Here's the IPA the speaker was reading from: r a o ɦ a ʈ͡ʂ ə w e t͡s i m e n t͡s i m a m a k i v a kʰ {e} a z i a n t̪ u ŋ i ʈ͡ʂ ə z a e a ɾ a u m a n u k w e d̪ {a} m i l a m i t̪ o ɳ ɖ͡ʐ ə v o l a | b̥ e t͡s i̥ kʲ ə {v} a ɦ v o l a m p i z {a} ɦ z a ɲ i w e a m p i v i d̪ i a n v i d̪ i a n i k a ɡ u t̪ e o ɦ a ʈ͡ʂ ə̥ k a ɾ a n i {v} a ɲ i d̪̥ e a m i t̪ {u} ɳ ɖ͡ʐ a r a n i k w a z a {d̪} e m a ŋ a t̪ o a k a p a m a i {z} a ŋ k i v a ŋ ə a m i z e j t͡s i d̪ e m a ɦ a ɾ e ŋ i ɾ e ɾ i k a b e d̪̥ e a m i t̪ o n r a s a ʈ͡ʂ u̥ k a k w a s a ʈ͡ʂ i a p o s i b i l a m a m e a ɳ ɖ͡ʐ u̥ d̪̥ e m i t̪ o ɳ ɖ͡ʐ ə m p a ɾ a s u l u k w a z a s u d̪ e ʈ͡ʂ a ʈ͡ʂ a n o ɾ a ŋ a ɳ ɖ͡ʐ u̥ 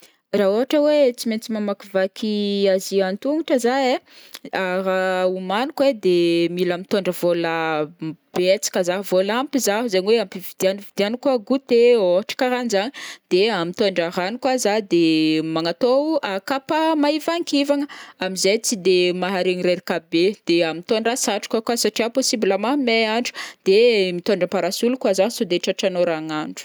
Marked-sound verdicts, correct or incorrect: incorrect: i, incorrect: e, incorrect: z, correct, incorrect: z, incorrect: o, correct, incorrect: v

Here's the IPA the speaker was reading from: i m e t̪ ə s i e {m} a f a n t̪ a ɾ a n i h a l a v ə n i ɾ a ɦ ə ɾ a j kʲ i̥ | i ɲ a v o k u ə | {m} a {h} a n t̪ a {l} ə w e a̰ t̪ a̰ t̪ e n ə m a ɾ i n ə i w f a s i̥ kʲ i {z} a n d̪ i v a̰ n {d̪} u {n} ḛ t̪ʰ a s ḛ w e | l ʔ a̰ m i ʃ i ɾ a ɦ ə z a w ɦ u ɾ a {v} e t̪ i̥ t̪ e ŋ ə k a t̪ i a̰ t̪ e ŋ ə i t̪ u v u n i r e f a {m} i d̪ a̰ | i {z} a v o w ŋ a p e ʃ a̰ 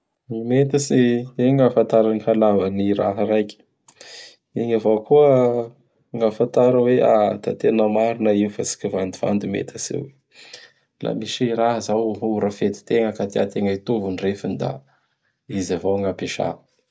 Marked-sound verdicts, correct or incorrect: incorrect: ŋ, incorrect: ŋ, incorrect: f, incorrect: ɾ, incorrect: v, correct, incorrect: m, incorrect: f, incorrect: n, correct

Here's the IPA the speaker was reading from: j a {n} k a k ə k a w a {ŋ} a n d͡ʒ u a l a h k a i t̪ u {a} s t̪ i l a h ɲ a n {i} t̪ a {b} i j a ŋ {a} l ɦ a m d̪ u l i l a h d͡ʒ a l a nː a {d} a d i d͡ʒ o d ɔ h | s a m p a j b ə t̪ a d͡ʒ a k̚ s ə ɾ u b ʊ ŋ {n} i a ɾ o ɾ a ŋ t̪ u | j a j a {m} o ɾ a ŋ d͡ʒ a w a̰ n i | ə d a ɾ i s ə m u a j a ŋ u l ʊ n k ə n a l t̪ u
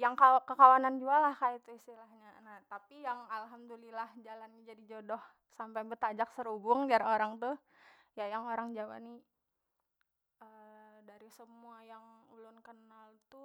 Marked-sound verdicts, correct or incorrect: incorrect: ŋ, incorrect: n, incorrect: i, incorrect: a, incorrect: p, correct, incorrect: d͡ʒ, incorrect: d, incorrect: ŋ

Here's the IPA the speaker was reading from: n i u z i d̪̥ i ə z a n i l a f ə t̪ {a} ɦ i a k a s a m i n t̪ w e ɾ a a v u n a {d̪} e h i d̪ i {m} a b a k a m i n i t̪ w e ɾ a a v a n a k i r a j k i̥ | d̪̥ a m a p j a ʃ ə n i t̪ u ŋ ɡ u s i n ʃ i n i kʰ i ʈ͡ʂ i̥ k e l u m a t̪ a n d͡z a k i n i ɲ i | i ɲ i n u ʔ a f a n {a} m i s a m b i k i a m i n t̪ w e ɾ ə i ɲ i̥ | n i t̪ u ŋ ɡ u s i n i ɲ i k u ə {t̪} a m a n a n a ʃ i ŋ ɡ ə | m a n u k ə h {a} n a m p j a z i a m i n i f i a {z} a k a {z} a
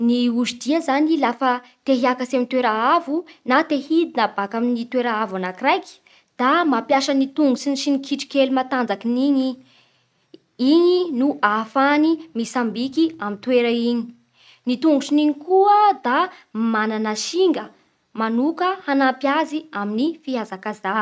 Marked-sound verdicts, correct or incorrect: incorrect: e, incorrect: t̪, incorrect: n, incorrect: i, incorrect: d̪, correct, correct, correct

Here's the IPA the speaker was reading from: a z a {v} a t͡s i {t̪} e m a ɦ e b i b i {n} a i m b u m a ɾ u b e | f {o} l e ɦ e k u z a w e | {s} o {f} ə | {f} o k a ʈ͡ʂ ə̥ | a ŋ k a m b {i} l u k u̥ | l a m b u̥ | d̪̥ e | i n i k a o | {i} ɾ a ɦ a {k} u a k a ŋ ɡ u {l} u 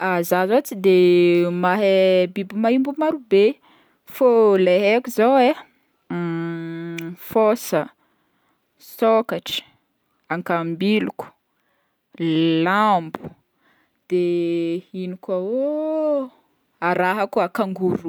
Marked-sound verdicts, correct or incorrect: incorrect: z, incorrect: d̪, incorrect: m, correct, incorrect: f, incorrect: s, incorrect: s, correct, incorrect: a, correct, incorrect: ɾ

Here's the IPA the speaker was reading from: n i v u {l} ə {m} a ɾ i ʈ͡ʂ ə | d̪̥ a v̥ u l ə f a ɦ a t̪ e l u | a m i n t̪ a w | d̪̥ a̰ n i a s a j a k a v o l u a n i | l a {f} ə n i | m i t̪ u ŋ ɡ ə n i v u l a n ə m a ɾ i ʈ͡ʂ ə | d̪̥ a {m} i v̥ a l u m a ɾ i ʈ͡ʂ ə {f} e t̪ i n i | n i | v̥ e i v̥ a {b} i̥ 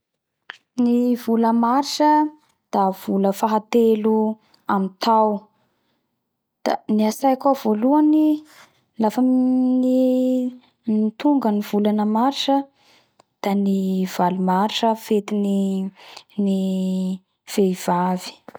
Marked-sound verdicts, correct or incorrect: correct, correct, correct, incorrect: n, correct, incorrect: v

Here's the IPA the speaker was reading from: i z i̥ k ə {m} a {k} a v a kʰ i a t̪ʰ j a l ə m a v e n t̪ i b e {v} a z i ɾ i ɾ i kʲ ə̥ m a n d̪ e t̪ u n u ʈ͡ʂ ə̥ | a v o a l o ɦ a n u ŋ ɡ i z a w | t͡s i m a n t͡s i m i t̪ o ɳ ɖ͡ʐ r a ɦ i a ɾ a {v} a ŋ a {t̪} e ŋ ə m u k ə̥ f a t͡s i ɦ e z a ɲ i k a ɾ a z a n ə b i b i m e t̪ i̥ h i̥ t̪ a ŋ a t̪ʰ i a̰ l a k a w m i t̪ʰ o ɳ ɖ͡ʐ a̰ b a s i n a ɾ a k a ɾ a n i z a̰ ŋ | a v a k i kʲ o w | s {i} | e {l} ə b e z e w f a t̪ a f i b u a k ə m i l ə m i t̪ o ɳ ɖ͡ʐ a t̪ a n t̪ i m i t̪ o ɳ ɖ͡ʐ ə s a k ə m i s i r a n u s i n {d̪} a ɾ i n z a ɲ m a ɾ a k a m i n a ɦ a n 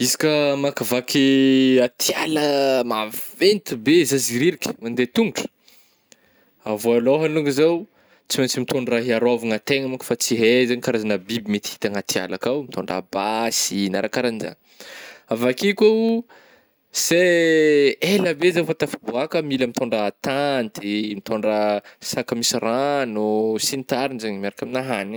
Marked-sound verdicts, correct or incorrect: correct, correct, incorrect: z, correct, correct, incorrect: e, correct, incorrect: t̪

